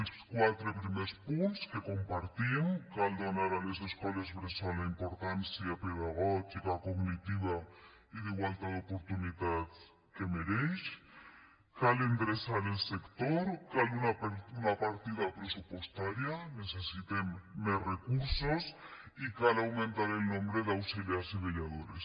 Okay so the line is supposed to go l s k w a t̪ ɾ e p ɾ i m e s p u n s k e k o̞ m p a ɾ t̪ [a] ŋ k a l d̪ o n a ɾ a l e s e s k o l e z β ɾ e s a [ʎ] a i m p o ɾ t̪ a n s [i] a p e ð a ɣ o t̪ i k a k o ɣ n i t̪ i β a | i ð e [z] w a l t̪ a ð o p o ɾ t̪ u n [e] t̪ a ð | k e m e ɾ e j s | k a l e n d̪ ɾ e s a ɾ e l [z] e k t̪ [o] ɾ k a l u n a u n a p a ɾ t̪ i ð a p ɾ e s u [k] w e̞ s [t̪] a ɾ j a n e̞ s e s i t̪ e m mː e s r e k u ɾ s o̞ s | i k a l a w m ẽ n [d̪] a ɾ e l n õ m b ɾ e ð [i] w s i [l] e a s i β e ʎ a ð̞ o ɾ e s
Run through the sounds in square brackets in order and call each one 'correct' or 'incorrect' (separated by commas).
incorrect, incorrect, incorrect, incorrect, incorrect, incorrect, correct, incorrect, correct, incorrect, incorrect, correct